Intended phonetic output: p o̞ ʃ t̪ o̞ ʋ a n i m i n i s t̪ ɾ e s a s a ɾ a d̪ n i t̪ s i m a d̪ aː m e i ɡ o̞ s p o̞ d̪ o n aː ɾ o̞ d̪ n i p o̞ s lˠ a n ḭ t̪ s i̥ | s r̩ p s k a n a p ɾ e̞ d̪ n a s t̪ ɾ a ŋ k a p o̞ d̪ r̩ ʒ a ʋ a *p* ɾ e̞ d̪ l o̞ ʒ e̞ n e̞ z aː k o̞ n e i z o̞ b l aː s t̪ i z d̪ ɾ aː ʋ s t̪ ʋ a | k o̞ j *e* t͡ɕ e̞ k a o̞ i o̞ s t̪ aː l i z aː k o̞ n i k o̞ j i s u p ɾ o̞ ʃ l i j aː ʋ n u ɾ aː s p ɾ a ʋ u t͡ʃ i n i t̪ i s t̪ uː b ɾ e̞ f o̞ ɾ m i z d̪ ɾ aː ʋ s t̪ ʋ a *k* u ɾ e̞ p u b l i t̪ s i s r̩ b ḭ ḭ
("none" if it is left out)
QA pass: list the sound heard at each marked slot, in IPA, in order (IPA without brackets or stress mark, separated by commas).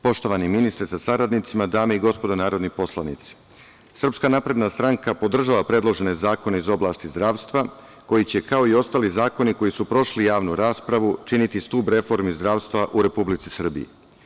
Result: p, i, ʔ